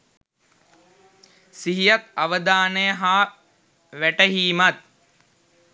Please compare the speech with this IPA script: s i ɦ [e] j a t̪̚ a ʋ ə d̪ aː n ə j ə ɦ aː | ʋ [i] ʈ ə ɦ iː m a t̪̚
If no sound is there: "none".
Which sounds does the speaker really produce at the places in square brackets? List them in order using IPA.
i, æ

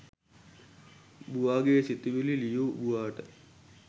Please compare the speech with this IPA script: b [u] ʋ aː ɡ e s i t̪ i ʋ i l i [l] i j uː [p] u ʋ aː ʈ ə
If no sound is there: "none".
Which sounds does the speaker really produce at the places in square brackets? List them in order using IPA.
u, l, b

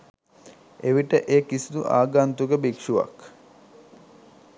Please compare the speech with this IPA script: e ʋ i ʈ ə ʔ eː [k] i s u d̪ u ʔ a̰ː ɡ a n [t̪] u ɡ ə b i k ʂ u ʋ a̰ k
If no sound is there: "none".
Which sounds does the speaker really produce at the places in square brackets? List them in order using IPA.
k, t̪

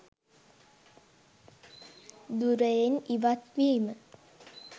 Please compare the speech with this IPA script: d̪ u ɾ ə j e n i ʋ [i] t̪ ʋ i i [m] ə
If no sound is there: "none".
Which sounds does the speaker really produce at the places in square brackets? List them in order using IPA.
a, m

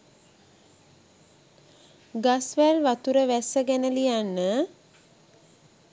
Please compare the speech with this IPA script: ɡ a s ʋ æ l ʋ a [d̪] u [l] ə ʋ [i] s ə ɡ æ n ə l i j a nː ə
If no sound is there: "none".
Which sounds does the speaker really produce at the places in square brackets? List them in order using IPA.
t̪, ɾ, æ

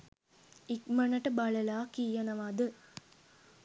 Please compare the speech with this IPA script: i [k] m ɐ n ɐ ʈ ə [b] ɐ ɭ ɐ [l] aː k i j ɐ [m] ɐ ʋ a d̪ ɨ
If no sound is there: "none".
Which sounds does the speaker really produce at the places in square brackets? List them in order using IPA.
k, b, l, n

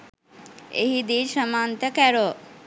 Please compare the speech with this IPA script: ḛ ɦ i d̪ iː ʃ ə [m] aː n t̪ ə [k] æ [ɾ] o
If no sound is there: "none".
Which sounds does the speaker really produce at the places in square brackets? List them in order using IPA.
m, k, ɾ

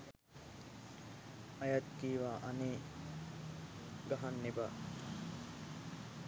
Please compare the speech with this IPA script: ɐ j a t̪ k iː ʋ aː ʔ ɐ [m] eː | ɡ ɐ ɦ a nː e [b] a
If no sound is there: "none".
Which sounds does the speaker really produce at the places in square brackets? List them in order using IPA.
n, b

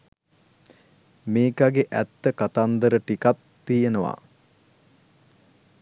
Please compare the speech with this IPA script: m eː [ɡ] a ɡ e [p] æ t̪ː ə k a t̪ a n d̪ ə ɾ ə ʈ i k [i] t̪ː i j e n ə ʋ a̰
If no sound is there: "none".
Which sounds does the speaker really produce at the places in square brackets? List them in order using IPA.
k, ʔ, a

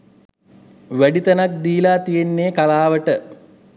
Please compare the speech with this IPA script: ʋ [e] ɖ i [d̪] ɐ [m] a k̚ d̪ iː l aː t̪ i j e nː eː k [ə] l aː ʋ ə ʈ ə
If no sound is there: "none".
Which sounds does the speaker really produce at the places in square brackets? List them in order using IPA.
æ, t̪, n, a

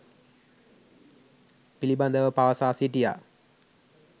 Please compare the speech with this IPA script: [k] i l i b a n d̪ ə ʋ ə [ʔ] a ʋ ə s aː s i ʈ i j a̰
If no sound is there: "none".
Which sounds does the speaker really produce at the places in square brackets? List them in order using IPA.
p, p

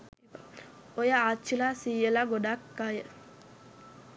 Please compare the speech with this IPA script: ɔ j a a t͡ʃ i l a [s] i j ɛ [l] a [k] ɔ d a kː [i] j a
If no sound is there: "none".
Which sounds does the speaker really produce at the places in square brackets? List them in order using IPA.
s, l, ɡ, a

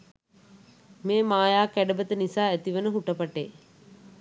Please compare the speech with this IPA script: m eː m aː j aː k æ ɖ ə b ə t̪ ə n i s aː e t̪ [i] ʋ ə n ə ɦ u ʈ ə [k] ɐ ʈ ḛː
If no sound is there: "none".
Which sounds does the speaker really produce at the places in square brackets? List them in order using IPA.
i, p

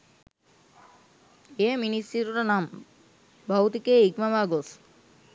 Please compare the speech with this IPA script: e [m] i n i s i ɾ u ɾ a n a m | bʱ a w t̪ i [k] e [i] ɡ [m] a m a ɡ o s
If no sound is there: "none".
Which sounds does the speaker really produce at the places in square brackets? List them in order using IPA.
m, k, i, m

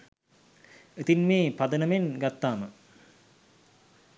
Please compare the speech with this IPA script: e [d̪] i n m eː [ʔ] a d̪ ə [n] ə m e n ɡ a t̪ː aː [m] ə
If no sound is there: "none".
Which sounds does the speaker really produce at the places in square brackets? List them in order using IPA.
t̪, p, n, m

